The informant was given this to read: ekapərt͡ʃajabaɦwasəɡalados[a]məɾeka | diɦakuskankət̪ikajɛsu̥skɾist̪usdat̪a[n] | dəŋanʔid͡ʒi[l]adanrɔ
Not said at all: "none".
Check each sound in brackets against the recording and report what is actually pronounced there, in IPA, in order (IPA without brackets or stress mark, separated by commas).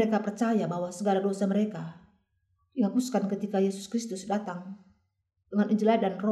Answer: a, ŋ, l